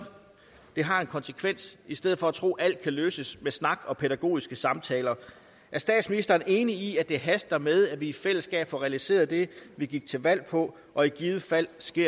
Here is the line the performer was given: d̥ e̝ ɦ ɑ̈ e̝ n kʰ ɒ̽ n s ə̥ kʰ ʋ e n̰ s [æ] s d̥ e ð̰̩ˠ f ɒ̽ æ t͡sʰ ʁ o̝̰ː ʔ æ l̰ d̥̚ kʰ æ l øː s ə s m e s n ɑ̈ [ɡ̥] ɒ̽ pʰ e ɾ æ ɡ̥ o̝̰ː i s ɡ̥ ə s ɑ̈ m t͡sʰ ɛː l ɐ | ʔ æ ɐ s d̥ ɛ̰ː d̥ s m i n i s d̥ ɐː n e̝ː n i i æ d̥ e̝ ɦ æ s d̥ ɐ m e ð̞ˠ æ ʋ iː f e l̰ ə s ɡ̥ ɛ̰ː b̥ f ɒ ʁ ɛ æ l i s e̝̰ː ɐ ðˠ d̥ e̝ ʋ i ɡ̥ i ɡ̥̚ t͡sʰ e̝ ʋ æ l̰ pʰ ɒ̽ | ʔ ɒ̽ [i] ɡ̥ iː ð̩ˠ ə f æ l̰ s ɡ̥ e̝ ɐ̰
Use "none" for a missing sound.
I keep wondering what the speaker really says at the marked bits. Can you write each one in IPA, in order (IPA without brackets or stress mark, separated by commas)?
i, ɡ̥, i